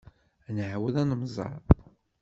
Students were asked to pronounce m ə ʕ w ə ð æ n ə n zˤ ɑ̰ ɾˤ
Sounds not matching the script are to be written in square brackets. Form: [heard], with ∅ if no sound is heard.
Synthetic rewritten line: [n] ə ʕ w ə ð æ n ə [m] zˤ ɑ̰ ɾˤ